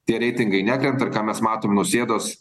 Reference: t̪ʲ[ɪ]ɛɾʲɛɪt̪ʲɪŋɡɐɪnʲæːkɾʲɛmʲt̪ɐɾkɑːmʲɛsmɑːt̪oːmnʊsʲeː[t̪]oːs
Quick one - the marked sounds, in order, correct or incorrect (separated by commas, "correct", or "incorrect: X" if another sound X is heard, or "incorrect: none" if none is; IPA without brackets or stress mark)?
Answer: incorrect: i, incorrect: d̪